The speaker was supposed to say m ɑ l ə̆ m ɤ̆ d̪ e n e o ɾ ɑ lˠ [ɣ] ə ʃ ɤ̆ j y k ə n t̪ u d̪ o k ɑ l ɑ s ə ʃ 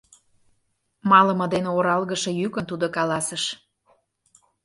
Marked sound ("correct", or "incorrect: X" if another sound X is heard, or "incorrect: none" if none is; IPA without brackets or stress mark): correct